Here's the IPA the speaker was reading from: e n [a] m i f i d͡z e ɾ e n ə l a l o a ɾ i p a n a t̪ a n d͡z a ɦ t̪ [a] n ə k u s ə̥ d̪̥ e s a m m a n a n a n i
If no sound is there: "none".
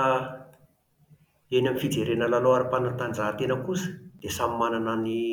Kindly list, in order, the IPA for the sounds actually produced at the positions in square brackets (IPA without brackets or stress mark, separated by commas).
a, e